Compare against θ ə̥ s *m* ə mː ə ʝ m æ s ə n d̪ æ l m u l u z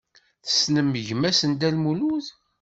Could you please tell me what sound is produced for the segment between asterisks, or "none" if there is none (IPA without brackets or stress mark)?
n